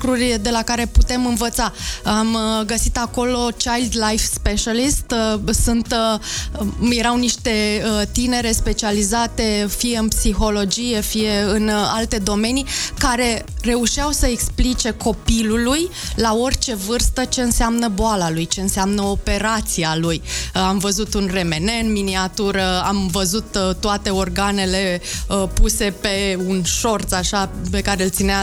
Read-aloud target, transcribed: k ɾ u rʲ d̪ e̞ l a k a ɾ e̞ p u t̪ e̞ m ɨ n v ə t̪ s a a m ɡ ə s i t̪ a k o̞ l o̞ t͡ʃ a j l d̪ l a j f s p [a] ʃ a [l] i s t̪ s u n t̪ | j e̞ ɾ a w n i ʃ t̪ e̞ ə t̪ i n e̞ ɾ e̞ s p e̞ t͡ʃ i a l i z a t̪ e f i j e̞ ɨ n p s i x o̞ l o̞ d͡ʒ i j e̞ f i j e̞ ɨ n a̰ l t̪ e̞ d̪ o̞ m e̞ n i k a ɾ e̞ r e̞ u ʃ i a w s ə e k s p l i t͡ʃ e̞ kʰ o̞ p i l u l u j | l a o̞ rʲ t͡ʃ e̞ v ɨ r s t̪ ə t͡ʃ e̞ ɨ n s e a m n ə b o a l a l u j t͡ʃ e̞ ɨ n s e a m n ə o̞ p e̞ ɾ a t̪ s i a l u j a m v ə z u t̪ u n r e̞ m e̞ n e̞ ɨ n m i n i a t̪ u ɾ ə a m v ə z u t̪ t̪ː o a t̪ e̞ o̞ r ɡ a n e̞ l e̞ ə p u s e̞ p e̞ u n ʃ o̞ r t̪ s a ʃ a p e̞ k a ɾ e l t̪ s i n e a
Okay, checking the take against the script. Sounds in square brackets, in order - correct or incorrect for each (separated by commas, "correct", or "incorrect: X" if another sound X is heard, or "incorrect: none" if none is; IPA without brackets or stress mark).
incorrect: e, correct